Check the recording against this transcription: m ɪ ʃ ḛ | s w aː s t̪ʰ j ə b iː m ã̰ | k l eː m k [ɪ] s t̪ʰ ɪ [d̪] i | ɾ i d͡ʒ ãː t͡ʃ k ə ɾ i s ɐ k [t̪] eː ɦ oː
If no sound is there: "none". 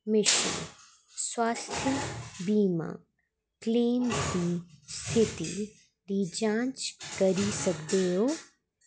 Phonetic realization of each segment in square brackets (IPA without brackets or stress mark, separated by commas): i, t̪, d̪